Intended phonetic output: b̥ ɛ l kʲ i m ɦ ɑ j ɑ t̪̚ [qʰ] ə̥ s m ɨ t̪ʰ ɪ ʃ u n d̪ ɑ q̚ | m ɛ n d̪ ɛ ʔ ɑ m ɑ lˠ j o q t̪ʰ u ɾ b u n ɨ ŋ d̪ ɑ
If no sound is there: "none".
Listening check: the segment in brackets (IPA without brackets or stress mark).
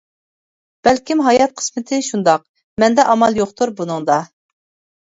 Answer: qʰ